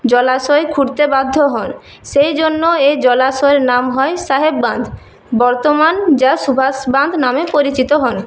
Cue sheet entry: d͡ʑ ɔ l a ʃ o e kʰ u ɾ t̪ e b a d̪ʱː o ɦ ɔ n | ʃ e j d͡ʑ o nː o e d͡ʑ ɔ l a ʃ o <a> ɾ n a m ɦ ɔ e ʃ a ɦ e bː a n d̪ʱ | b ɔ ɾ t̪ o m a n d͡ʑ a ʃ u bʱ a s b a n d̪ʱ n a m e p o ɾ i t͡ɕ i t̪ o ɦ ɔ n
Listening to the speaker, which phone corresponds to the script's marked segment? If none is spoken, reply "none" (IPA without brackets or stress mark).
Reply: e